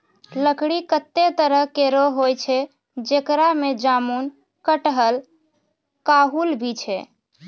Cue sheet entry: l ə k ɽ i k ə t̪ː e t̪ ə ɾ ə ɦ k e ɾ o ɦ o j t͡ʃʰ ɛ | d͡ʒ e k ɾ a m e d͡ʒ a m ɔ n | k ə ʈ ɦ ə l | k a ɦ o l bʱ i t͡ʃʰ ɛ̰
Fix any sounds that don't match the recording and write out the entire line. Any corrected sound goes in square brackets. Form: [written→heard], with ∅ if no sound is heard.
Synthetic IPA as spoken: l ə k ɽ i k ə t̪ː e t̪ ə ɾ ə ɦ k e ɾ o ɦ o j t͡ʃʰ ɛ | d͡ʒ e k ɾ a m e d͡ʒ a m [ɔ→u] n | k ə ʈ ɦ ə l | k a ɦ [o→u] l bʱ i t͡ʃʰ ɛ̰